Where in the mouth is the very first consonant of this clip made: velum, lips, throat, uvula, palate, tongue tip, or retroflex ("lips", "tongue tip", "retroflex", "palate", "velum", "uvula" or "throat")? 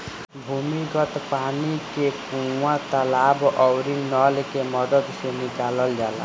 lips